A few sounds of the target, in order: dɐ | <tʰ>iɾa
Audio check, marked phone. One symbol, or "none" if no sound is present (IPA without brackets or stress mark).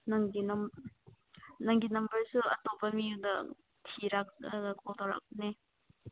tʰ